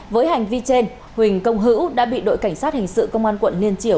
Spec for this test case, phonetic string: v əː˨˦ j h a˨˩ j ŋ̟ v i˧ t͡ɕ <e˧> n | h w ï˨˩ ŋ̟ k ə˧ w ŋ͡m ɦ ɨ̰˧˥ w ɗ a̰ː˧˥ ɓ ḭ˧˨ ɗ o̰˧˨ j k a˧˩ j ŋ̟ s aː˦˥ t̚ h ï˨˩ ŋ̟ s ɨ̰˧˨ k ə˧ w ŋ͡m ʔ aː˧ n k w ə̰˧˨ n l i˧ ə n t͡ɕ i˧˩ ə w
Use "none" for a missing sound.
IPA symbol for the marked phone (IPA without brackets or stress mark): e˧